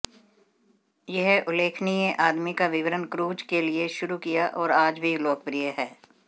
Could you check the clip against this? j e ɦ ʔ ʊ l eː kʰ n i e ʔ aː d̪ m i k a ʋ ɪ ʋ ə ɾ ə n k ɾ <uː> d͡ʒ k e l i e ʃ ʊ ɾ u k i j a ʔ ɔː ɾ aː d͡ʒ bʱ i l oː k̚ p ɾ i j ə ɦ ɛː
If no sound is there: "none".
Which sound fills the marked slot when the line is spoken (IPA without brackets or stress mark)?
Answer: uː